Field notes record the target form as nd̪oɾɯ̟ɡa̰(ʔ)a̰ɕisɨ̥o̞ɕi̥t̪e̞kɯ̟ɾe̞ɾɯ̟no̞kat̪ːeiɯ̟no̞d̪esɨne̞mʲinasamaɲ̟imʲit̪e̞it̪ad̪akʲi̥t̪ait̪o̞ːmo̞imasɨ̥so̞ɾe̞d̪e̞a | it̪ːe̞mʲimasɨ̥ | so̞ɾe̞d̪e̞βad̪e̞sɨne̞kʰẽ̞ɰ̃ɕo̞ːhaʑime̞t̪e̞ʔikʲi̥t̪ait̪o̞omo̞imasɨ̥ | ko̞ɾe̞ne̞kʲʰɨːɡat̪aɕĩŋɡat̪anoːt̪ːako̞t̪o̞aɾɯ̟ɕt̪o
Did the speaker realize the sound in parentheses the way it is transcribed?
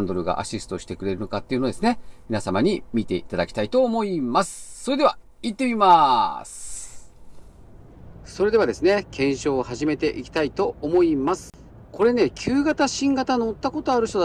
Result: yes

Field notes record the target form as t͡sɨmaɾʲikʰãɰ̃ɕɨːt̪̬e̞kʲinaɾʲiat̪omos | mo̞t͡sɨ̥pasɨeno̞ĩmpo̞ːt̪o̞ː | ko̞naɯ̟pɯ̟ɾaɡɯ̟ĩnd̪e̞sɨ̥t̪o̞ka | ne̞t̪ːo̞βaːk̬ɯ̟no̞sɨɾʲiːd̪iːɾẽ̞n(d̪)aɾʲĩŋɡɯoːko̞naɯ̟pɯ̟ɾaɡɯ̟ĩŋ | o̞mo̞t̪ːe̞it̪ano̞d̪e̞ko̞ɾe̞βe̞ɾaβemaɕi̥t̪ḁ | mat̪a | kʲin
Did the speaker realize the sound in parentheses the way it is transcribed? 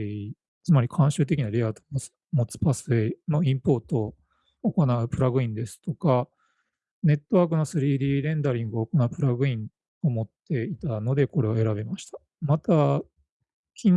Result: yes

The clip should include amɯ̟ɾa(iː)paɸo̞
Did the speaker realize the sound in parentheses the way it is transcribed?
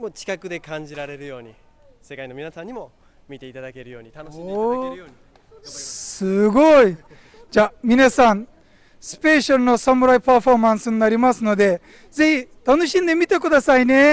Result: no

